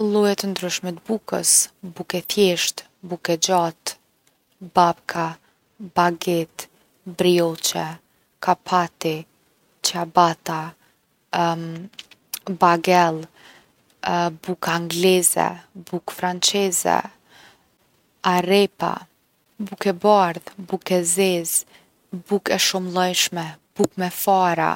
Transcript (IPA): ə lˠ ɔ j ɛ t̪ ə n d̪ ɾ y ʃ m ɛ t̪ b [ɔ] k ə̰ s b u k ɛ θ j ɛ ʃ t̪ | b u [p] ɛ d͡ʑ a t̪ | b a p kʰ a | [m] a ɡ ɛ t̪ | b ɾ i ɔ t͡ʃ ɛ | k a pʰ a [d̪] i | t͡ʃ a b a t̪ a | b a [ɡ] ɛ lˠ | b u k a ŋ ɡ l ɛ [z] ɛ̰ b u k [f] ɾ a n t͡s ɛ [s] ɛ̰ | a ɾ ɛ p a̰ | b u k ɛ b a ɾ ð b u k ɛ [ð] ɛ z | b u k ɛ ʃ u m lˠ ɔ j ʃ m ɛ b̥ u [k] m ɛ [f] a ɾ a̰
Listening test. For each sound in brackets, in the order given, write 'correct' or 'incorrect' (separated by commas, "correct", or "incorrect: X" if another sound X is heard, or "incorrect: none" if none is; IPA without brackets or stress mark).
incorrect: u, incorrect: k, incorrect: b, incorrect: t̪, correct, correct, correct, incorrect: z, incorrect: z, correct, correct